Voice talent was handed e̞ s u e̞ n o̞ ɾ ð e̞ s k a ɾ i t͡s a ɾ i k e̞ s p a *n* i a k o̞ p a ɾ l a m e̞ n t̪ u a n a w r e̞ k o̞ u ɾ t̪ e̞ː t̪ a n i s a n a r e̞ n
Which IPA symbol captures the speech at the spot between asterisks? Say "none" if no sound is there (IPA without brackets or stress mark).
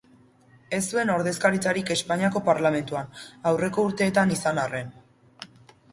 ɲ